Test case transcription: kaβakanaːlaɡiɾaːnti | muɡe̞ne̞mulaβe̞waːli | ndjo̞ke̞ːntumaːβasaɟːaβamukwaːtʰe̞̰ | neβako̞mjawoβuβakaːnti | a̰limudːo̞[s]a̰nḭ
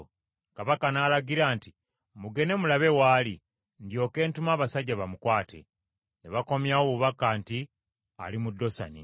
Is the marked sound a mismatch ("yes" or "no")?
no